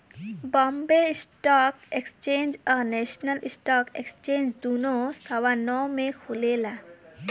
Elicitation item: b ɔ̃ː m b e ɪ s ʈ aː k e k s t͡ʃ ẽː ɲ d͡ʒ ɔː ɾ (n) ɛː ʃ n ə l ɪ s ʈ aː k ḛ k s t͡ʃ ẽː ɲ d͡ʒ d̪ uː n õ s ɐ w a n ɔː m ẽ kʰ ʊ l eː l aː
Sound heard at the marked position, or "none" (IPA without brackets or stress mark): n